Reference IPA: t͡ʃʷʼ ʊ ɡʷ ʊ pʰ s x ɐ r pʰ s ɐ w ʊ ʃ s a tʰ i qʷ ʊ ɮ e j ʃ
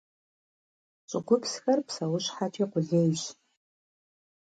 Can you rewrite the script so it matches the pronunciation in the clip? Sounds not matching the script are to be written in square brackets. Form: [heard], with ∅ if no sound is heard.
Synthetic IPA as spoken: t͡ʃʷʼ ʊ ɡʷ ʊ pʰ s x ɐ r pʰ s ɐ w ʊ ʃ [ħ] a tʰ i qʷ ʊ ɮ e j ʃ